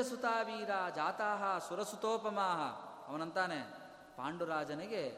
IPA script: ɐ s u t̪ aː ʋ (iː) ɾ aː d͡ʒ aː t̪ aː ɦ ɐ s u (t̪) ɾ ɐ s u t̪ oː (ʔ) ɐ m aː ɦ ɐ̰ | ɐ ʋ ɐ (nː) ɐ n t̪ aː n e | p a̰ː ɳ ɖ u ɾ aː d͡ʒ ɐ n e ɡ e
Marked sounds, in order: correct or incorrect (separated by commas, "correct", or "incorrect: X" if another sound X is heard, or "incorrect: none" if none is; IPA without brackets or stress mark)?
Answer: correct, incorrect: none, incorrect: p, incorrect: n